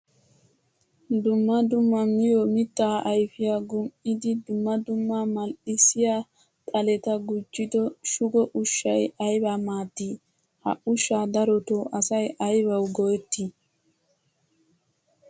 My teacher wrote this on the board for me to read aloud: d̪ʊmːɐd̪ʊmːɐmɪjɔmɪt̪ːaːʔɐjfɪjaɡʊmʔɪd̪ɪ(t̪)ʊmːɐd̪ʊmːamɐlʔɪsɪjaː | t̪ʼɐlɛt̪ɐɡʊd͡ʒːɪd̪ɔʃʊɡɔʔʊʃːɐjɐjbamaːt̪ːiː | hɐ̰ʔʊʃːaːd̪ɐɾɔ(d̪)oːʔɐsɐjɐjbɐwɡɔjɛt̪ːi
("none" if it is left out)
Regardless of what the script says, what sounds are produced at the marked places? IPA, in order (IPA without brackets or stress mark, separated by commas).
d̪, t̪